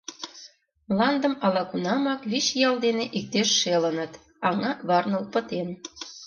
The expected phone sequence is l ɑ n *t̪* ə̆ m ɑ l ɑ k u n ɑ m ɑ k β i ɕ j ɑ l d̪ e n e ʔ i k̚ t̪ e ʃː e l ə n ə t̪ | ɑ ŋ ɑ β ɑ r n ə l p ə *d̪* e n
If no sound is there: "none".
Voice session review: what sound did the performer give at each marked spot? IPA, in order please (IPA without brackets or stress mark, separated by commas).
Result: d̪, t̪